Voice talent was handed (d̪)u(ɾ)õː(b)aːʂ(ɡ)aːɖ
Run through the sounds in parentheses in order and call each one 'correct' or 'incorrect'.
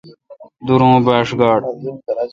correct, correct, correct, correct

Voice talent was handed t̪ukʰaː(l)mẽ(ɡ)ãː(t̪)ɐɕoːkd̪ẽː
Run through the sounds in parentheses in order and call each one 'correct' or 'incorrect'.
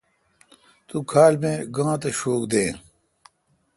correct, correct, correct

